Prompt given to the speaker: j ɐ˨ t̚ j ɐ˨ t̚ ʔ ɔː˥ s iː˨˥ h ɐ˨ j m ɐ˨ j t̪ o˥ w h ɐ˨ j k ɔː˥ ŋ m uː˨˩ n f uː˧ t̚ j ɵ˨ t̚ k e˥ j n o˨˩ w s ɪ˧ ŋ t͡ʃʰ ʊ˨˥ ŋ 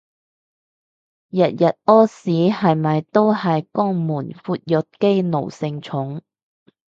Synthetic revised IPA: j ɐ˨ t̚ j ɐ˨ t̚ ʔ ɔː˥ s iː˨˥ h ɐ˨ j m ɐ˨ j t̪ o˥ w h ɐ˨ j k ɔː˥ ŋ m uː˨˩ n f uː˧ t̚ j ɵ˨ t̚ k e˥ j n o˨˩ w s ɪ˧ ŋ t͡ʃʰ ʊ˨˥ ŋ